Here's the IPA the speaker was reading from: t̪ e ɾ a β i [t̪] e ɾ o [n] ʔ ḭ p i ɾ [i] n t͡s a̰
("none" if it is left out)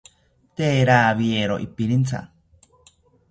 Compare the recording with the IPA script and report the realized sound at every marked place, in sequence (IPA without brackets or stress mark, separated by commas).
none, none, i